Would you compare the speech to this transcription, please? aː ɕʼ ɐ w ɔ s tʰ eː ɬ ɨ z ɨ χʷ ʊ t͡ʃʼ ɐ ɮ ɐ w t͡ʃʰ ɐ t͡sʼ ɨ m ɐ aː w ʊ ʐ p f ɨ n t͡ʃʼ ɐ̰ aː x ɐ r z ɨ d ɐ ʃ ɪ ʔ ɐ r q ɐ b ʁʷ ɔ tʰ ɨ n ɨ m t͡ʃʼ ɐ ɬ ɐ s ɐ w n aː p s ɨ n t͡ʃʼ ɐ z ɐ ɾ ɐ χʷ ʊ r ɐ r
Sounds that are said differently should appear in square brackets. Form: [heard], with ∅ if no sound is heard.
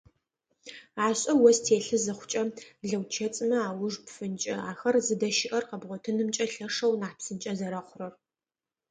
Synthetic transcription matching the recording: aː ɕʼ ɐ w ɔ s tʰ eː ɬ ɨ z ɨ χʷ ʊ t͡ʃʼ ɐ ɮ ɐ w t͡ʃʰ ɐ t͡sʼ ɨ m ɐ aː w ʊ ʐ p f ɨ n t͡ʃʼ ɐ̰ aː x ɐ r z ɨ d ɐ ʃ ɪ ʔ ɐ r q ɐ b ʁʷ ɔ tʰ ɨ n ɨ m t͡ʃʼ ɐ ɬ ɐ [ʂ] ɐ w n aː p s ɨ n t͡ʃʼ ɐ z ɐ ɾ ɐ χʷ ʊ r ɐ r